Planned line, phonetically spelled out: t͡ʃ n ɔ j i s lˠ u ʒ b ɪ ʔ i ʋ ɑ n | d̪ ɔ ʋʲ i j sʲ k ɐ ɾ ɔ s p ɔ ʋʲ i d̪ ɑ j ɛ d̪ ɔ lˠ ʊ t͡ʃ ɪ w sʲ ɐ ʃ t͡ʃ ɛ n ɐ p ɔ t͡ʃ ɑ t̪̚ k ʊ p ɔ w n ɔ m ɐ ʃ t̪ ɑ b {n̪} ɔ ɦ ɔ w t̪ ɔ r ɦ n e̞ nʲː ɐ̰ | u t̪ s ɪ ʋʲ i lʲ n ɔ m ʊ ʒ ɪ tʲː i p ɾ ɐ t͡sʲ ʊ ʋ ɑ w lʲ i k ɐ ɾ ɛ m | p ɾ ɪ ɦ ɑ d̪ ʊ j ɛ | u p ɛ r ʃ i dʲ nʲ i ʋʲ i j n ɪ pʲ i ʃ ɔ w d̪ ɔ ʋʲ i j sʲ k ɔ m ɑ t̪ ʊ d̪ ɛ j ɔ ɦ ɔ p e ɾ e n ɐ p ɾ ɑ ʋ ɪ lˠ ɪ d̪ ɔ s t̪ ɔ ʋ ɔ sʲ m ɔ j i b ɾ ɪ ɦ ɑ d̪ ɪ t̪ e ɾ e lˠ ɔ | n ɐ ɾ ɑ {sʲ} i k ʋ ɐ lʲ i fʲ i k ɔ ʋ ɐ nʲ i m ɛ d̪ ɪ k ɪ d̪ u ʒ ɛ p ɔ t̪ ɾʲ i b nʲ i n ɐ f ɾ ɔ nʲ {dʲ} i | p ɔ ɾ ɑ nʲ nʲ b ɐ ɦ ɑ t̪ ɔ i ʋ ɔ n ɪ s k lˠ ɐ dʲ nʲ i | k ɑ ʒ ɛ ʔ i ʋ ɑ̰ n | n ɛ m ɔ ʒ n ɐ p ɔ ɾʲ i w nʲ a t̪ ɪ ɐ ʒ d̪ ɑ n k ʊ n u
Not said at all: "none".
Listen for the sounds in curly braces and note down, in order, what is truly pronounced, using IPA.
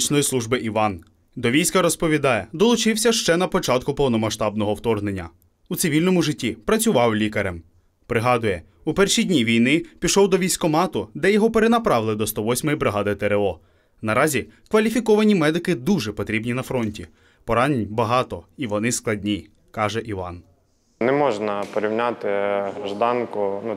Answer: n̪, zʲ, tʲ

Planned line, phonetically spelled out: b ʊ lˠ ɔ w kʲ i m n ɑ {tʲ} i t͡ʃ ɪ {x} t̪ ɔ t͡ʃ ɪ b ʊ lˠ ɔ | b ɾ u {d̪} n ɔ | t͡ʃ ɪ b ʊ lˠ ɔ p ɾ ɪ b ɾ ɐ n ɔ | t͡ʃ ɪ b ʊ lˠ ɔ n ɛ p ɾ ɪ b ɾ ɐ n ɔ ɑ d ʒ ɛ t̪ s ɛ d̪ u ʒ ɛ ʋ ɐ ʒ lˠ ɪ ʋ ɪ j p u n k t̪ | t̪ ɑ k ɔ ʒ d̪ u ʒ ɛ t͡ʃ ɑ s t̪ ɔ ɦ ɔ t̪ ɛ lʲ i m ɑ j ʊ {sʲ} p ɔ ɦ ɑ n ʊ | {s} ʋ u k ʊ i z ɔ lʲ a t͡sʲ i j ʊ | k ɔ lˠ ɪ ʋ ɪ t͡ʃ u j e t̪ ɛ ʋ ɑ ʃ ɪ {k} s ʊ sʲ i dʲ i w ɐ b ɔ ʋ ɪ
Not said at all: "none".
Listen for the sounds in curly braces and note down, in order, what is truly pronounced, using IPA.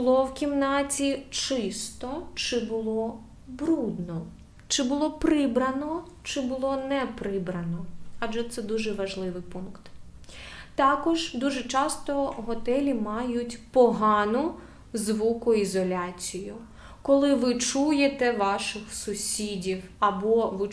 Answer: tʲ, s, d̪, tʲ, z, x

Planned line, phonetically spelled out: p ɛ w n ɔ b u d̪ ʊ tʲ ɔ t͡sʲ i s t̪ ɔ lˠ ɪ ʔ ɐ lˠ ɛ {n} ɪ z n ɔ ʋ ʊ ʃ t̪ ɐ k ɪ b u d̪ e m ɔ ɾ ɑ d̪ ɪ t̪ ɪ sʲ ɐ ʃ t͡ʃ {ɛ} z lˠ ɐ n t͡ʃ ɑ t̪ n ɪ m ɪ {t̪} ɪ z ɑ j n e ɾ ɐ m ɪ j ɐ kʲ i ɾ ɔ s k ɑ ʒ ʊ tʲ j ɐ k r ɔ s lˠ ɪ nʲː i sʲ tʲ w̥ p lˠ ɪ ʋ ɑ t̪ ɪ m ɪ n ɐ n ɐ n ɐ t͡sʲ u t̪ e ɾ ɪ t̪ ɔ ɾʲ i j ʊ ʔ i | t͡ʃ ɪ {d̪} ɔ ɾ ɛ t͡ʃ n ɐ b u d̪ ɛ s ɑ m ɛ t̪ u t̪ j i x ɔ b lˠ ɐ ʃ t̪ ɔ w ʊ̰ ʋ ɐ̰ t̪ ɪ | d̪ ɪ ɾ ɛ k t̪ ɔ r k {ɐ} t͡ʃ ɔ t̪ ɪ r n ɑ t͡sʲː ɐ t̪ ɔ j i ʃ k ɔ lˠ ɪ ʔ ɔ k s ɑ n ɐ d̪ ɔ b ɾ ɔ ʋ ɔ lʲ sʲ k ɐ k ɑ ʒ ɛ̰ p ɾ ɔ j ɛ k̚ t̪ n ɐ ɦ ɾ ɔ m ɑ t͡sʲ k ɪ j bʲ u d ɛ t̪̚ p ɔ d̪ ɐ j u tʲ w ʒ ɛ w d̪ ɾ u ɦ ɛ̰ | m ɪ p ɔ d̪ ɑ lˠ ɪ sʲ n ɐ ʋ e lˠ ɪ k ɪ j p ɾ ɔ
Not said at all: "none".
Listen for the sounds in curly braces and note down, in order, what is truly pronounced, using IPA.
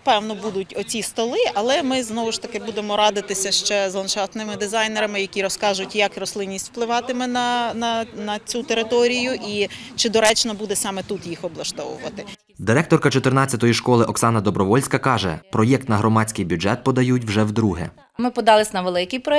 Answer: m, ɛ, d̪, d̪, ɐ

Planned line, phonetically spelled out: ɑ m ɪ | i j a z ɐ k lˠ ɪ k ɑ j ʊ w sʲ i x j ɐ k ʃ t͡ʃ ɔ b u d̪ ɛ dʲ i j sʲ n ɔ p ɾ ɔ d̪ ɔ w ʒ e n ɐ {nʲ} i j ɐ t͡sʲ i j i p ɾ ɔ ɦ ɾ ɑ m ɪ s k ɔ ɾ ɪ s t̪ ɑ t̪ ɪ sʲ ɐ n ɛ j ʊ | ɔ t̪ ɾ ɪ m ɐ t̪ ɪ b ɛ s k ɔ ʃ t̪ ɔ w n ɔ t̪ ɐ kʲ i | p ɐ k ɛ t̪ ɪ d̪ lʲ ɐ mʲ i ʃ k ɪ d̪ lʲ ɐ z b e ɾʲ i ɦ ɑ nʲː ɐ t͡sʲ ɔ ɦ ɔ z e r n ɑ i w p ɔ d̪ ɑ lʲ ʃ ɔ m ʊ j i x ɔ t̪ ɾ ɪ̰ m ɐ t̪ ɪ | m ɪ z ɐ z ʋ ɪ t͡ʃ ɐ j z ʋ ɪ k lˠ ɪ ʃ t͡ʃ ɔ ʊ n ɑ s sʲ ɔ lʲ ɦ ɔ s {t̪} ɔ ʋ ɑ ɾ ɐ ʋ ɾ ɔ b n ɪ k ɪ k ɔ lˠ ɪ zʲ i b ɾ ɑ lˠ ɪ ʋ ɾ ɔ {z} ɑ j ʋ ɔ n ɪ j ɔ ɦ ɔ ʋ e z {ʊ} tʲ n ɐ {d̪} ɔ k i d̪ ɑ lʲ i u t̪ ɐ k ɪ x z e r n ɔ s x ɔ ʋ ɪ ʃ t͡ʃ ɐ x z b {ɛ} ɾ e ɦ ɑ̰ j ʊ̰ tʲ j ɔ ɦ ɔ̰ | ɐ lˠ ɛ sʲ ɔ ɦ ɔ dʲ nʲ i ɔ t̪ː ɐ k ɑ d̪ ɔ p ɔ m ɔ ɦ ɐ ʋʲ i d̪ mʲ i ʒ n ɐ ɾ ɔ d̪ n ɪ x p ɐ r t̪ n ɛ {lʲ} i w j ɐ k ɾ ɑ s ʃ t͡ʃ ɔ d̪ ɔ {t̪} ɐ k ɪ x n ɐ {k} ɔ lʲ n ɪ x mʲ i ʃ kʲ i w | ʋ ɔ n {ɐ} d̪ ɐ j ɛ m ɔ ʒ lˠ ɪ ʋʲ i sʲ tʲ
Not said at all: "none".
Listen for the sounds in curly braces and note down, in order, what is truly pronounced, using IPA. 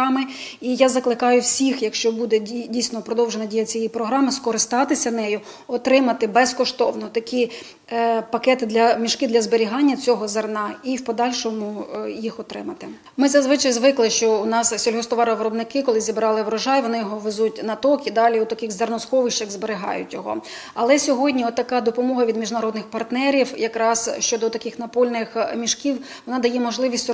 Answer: dʲ, t̪, ʒ, u, t̪, e, ɾʲ, t̪, p, ɑ

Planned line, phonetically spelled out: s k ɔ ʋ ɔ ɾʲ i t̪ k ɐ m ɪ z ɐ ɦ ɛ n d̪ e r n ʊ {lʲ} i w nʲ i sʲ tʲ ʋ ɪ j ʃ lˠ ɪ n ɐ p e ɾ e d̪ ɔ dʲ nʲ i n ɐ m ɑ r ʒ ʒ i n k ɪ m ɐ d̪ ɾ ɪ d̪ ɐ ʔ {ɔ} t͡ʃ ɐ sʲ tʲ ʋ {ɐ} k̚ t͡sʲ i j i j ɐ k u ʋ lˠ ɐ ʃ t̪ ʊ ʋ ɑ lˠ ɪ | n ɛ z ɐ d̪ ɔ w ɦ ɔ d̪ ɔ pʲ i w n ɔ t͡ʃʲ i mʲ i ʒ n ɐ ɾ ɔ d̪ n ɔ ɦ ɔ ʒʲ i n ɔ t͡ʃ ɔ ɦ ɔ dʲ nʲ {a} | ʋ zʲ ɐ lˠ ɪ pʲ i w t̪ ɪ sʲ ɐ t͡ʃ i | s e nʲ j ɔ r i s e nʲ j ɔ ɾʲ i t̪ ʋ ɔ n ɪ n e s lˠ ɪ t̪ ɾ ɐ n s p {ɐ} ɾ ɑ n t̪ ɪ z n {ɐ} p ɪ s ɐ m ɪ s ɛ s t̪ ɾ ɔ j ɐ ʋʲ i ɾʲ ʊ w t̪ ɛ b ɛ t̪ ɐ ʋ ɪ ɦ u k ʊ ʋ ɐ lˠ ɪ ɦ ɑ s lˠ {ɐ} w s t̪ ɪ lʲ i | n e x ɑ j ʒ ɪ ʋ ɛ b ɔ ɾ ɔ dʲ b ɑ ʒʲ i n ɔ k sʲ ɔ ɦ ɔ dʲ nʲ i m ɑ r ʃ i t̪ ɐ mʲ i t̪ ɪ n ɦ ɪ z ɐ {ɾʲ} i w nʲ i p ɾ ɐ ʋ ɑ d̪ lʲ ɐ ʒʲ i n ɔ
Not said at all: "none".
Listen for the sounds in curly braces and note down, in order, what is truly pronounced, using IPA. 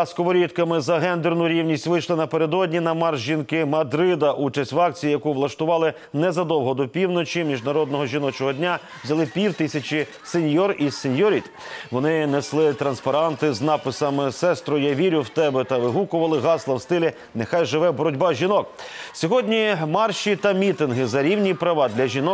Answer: ɾʲ, u, ɑ, a, ɐ, ɑ, ɐ, ɾʲ

